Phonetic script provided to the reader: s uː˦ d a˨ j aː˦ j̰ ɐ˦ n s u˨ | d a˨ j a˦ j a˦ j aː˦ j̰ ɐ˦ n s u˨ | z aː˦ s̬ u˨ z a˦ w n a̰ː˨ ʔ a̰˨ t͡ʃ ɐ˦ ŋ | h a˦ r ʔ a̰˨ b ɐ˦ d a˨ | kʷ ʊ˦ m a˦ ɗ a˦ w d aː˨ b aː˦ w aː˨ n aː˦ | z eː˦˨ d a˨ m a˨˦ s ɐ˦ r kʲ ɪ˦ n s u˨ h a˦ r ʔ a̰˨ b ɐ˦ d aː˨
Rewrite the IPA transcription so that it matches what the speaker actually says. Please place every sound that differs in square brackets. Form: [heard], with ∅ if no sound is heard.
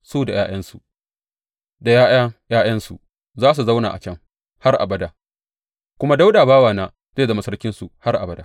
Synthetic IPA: s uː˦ d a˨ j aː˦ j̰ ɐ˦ n s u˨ | d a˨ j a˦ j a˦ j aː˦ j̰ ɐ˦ n s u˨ | z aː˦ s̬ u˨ z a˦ w n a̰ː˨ ʔ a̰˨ t͡ʃ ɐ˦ ŋ | h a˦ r ʔ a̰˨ b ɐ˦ d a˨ | kʷ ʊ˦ m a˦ [d] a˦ w d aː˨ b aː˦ w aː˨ n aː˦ | z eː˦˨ d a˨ m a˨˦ s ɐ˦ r kʲ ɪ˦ n s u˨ h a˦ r ʔ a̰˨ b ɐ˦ d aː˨